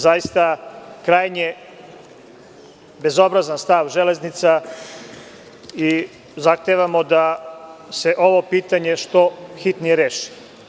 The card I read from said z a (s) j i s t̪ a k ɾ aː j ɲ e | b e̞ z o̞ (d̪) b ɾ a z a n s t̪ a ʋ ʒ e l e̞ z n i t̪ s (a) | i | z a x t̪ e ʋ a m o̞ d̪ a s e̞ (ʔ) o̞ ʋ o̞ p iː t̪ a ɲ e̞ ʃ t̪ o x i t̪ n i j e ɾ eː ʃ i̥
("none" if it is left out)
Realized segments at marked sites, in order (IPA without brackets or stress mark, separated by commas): none, none, a, ʔ